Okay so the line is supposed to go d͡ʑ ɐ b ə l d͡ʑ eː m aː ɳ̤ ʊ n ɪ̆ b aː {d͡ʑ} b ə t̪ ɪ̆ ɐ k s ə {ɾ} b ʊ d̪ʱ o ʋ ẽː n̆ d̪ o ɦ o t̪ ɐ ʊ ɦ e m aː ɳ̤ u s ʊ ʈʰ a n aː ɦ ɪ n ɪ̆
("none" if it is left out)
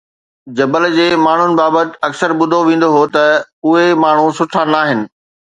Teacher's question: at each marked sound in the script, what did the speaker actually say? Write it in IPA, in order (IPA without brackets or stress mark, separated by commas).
none, ɾ